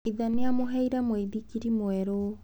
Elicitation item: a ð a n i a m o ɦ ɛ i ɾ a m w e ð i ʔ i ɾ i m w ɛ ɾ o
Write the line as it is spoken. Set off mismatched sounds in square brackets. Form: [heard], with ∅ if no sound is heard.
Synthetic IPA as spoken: [i] ð a n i a m o ɦ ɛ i ɾ a m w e ð i [k] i ɾ i m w ɛ ɾ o

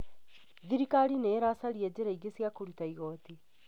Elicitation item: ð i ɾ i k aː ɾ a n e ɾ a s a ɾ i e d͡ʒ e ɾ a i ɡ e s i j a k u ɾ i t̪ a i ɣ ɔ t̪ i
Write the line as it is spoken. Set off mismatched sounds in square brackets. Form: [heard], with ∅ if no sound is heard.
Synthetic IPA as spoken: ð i ɾ i k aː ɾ [i] n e ɾ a s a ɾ i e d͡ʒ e ɾ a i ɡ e s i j a k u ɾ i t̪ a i ɣ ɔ t̪ i

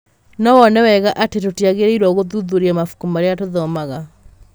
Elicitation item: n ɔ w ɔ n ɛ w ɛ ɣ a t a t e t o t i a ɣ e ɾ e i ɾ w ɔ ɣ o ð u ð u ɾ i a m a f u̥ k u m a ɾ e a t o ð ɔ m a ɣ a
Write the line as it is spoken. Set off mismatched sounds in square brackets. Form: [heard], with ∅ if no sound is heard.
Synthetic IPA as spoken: n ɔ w ɔ n ɛ w ɛ ɣ a [ʔ] a t e t o t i a ɣ e ɾ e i ɾ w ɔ ɣ o ð u ð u ɾ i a m a f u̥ k u m a ɾ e a t o ð ɔ m a ɣ a

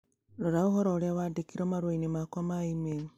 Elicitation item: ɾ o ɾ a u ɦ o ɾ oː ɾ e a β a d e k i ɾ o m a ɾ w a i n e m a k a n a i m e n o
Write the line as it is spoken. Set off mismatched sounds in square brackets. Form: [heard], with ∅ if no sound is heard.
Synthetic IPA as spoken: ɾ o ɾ a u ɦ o ɾ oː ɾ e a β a d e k i ɾ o m a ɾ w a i n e m a k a [m] a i m e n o

